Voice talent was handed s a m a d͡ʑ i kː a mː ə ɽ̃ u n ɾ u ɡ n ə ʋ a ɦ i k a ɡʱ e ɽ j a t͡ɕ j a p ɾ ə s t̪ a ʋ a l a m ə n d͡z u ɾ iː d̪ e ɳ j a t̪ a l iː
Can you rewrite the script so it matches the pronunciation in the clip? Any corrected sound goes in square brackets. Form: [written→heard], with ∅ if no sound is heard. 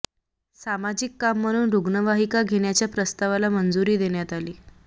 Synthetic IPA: s a m a d͡ʑ i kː a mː ə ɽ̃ [u→uː] n ɾ u ɡ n ə ʋ a ɦ i k a ɡʱ e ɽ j a t͡ɕ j a p ɾ ə s t̪ a ʋ a l a m ə n d͡z u ɾ iː d̪ e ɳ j a t̪ a l iː